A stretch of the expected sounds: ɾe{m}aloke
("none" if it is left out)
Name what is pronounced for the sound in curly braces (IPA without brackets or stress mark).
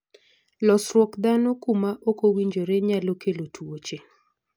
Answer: ɲ